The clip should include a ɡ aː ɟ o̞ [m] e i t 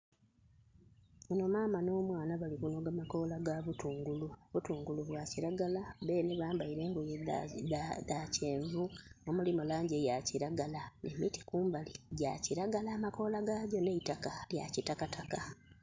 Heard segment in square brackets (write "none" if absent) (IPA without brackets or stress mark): n